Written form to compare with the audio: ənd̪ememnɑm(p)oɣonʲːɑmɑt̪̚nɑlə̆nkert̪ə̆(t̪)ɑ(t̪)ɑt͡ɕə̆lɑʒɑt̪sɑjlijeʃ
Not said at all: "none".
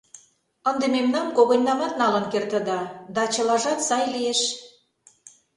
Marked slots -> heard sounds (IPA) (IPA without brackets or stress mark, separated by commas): k, d̪, d̪